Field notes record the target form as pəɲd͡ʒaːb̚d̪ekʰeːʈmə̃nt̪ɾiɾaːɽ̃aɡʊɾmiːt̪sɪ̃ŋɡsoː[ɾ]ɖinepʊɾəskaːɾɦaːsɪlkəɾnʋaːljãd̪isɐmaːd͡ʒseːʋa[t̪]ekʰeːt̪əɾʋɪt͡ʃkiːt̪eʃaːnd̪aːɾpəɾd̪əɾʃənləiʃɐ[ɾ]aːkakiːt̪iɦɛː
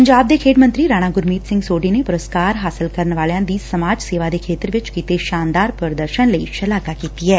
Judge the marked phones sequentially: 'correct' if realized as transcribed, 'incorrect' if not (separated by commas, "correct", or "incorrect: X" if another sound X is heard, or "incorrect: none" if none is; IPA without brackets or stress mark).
incorrect: none, incorrect: d̪, incorrect: l